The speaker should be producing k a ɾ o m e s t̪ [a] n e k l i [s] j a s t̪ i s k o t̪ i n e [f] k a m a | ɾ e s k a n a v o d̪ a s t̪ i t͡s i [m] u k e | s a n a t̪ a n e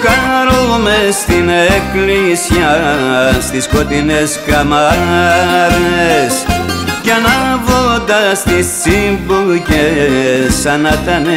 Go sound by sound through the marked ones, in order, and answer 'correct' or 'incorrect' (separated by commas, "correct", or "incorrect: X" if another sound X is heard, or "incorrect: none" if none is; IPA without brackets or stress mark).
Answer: incorrect: i, correct, incorrect: s, incorrect: b